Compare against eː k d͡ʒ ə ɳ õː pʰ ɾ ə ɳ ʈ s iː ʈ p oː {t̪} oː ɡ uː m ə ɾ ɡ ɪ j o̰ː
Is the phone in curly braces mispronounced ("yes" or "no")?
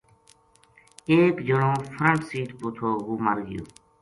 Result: yes